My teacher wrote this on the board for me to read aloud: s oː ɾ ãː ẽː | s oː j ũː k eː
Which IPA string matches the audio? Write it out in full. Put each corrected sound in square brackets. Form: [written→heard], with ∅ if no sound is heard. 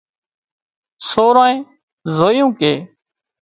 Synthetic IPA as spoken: s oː ɾ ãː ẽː | [s→z] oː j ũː k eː